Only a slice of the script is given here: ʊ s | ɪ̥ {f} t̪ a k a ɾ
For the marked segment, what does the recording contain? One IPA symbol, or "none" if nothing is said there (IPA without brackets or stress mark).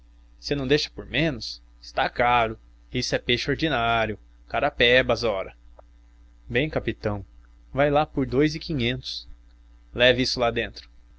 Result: s